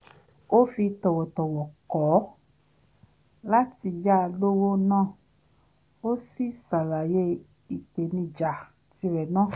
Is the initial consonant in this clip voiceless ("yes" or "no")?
yes